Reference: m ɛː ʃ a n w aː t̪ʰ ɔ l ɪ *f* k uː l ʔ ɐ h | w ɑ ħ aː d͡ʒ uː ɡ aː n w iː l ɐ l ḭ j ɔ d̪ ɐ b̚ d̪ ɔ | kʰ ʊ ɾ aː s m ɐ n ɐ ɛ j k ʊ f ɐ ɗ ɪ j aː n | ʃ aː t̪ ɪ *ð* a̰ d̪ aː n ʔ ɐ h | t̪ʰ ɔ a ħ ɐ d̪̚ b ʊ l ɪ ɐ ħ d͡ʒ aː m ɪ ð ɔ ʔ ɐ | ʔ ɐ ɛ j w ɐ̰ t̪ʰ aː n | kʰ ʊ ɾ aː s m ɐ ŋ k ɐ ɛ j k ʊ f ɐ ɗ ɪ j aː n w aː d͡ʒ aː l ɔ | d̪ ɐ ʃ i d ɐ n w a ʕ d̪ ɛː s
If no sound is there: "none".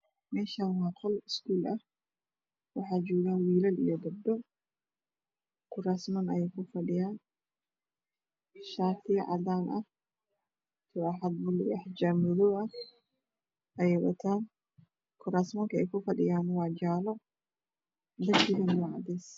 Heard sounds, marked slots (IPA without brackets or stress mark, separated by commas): s, ʕ